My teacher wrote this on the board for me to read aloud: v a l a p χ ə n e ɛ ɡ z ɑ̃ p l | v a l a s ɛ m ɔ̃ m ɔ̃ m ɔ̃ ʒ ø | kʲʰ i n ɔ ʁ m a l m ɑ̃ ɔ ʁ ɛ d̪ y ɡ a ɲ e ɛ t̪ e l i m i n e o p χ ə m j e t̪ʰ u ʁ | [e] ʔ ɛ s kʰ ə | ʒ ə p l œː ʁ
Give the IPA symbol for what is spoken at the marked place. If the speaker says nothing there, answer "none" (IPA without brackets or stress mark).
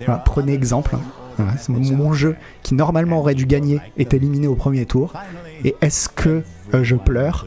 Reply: e